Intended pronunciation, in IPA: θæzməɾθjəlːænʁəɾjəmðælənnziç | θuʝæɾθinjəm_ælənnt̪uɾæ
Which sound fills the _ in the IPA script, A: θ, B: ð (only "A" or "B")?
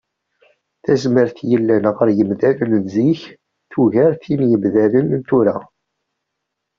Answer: B